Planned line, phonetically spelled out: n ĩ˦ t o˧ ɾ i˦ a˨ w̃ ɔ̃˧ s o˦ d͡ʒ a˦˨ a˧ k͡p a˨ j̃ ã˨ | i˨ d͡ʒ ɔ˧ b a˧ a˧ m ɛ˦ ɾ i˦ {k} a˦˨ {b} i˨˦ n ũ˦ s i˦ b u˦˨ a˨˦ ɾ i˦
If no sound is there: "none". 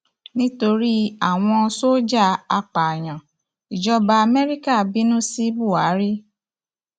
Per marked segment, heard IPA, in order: k, b

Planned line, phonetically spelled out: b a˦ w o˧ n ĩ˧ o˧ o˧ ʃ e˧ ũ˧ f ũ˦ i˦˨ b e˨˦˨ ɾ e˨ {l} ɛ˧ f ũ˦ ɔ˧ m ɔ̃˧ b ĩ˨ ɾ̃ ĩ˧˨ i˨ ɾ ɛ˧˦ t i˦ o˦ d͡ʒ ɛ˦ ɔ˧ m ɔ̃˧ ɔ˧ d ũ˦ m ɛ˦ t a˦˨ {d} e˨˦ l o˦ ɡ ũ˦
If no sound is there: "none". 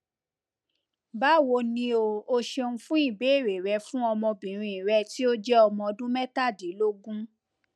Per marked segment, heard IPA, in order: ɾ, d

